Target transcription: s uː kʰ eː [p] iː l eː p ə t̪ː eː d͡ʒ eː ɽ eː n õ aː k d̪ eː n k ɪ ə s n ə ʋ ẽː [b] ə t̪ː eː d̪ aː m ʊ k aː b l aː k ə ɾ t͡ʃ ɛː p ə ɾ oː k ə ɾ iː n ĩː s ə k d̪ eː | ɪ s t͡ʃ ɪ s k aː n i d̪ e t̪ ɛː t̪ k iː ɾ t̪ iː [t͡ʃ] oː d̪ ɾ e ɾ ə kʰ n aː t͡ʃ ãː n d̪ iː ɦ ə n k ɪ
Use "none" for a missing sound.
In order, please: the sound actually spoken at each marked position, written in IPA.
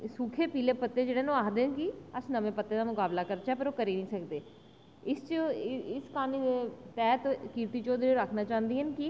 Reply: p, p, t͡ʃ

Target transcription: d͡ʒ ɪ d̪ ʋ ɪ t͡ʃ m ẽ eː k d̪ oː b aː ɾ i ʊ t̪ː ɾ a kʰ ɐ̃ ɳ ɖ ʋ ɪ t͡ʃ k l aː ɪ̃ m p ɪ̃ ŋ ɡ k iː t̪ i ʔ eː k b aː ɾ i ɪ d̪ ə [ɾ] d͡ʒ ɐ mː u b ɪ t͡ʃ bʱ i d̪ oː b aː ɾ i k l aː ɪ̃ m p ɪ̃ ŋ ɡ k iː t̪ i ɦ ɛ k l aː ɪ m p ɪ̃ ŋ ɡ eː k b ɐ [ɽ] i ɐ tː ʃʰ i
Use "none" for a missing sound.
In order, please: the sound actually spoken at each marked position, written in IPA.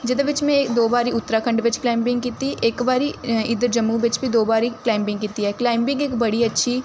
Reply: ɾ, ɽ

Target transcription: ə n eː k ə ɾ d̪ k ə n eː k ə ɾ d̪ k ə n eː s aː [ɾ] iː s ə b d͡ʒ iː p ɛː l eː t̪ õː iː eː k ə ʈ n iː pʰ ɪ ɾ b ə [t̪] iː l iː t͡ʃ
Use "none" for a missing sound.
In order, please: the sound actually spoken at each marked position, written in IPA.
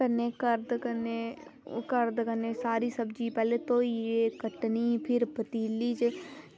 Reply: ɾ, t̪

